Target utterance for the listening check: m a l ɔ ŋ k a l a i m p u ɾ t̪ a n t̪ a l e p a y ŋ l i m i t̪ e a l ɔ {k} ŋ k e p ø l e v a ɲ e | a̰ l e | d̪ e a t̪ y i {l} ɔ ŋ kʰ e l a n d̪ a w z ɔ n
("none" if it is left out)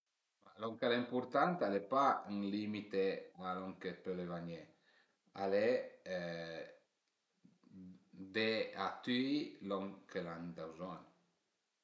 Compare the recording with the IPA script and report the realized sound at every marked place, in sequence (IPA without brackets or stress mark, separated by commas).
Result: none, l